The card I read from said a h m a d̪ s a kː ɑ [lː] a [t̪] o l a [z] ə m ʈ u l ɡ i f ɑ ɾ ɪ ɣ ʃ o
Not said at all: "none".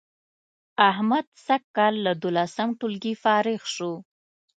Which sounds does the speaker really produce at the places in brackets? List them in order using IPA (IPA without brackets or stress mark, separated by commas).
lː, d̪, s